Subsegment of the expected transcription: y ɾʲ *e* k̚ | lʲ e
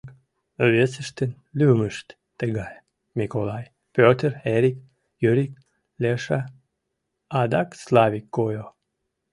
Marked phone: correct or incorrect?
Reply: incorrect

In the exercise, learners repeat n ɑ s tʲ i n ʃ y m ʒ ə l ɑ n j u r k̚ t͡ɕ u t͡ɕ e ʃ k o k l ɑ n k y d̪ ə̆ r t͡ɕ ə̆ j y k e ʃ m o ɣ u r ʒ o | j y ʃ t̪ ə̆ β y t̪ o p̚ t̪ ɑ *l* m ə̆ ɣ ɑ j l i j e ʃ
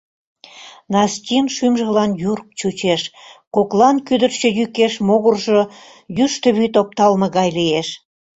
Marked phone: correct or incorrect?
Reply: correct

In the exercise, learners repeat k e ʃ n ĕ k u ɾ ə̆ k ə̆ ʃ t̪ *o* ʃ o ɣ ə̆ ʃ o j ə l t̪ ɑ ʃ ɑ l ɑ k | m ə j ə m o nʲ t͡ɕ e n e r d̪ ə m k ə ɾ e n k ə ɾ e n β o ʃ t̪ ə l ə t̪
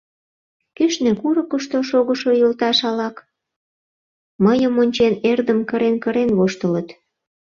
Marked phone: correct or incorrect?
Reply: correct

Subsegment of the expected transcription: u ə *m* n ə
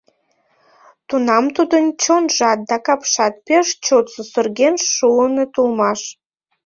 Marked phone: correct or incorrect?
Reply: incorrect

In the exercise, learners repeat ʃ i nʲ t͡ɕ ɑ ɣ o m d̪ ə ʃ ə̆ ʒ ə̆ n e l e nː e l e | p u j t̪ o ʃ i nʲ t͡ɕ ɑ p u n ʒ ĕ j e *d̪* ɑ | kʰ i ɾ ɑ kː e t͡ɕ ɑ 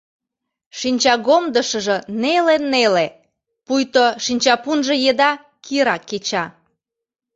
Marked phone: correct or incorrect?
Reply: correct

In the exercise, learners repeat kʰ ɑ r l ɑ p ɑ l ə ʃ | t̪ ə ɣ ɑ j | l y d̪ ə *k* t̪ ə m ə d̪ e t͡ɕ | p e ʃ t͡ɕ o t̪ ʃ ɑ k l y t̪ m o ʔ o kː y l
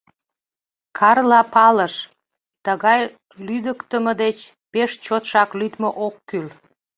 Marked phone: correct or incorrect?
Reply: correct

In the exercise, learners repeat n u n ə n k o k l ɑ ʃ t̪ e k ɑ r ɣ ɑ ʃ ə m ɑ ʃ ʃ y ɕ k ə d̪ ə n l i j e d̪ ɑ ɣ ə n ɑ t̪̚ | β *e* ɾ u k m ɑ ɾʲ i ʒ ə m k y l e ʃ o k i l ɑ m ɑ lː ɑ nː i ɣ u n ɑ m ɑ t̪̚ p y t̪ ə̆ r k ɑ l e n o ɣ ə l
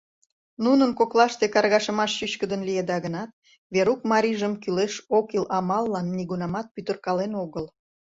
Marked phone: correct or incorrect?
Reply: correct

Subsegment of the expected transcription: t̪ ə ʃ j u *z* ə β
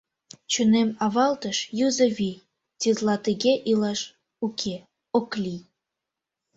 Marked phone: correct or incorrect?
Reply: correct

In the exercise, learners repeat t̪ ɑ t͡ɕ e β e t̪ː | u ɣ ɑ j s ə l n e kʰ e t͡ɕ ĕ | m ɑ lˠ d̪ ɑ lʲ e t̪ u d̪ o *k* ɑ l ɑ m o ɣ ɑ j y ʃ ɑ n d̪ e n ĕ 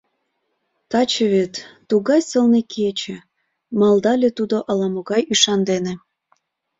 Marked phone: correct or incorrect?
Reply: incorrect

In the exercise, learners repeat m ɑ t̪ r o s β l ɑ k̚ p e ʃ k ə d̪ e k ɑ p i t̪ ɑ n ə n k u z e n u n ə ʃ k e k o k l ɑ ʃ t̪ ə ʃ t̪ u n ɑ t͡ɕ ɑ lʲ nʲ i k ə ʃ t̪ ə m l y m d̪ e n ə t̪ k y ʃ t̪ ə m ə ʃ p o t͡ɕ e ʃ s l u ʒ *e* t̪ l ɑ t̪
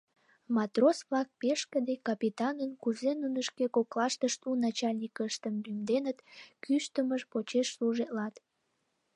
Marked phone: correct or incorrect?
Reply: correct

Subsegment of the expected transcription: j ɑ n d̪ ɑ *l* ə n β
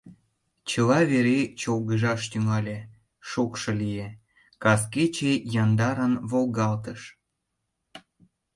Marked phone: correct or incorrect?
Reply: incorrect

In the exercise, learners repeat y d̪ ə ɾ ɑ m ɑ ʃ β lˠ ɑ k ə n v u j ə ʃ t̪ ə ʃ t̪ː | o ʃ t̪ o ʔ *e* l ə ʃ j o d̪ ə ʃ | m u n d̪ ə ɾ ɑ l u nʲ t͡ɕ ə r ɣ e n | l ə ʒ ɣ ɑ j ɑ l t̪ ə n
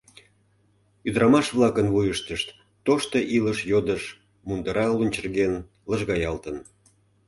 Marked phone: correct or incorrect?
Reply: incorrect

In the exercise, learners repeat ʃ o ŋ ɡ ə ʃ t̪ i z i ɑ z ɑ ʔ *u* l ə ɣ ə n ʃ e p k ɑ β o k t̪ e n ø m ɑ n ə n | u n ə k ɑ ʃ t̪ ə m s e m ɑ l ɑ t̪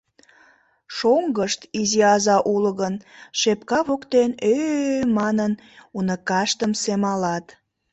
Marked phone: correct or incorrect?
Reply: correct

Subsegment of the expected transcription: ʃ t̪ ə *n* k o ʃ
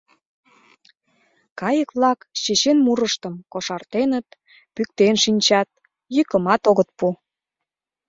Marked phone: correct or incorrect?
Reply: incorrect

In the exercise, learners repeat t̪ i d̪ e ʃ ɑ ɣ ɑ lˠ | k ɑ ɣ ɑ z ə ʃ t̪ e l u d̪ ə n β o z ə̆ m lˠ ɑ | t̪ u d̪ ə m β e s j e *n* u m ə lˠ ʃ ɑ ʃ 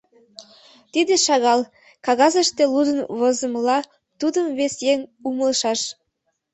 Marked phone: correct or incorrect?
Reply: incorrect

